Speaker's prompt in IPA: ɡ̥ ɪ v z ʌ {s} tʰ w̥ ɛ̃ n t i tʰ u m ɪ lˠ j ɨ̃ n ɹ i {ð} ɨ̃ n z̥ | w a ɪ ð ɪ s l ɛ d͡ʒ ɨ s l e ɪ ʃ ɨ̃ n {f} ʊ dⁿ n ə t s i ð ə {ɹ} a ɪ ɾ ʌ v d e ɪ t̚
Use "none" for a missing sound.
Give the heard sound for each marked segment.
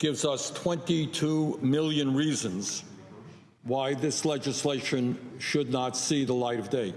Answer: s, z, ʃ, l

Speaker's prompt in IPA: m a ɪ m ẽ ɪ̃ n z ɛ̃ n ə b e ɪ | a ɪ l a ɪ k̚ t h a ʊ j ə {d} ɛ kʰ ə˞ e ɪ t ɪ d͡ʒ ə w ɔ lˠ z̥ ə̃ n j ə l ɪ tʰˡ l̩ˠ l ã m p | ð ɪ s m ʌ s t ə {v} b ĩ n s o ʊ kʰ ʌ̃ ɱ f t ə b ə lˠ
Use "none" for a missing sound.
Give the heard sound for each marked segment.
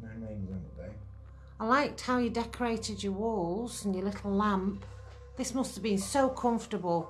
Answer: d, v

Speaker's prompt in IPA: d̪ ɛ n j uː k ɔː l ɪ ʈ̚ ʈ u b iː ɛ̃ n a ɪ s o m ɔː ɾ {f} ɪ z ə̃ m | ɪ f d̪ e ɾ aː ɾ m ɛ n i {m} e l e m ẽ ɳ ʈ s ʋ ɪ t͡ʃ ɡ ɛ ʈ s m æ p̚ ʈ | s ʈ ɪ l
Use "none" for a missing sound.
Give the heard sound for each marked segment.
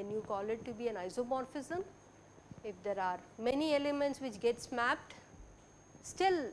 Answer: f, none

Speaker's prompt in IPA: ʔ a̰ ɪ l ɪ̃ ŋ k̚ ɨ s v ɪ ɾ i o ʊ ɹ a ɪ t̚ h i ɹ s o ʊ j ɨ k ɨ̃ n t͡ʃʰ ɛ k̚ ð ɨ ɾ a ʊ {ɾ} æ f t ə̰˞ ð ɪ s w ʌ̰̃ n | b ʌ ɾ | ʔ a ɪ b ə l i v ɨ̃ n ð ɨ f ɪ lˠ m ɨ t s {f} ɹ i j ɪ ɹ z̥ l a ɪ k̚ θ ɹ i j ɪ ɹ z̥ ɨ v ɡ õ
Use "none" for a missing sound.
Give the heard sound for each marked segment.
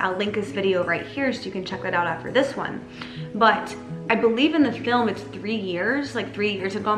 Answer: ɾ, θ

